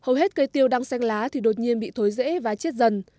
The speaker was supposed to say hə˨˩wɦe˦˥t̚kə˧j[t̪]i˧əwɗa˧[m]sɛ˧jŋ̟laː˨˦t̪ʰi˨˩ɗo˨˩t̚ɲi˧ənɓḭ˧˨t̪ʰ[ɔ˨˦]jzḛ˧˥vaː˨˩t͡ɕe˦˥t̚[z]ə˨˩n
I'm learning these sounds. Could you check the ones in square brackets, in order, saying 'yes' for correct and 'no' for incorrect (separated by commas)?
yes, no, no, yes